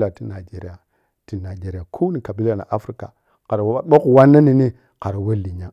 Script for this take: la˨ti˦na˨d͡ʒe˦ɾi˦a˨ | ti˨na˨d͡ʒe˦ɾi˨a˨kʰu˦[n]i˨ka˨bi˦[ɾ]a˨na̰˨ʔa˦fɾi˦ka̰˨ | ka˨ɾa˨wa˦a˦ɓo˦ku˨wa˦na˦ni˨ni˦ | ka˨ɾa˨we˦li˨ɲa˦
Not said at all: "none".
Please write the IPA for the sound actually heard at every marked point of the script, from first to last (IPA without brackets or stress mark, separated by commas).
n, l